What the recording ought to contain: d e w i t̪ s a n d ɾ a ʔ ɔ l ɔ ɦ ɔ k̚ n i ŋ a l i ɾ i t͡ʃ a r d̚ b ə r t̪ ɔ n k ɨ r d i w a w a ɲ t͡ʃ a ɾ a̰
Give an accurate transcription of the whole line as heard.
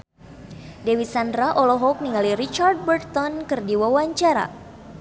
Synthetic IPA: d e w i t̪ s a n d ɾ a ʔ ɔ l ɔ ɦ ɔ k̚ n i ŋ a l i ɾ i t͡ʃ a r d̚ b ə r t̪ ɔ n k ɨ r d i w a w a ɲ t͡ʃ a ɾ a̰